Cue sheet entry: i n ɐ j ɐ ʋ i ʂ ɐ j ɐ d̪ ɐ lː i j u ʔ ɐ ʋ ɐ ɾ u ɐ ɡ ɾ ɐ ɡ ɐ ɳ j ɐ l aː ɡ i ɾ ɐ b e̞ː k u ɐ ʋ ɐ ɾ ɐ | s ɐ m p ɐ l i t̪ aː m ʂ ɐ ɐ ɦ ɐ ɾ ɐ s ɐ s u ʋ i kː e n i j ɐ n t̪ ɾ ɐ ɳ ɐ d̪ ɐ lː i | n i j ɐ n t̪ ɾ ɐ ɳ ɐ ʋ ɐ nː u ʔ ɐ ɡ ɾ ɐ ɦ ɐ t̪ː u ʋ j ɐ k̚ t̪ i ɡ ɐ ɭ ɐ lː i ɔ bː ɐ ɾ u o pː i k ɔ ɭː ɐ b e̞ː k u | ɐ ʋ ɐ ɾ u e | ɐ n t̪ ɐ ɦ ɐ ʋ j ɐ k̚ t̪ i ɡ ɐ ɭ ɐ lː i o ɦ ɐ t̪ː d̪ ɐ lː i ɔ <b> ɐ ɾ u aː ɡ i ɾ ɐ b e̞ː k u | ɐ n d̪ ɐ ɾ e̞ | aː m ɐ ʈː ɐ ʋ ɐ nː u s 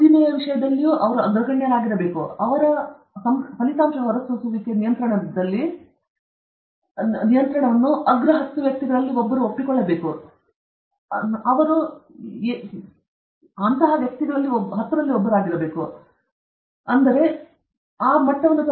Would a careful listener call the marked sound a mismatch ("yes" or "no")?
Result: yes